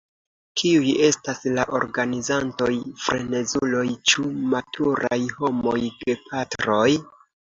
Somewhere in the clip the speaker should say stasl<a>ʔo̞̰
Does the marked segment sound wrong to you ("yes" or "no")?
no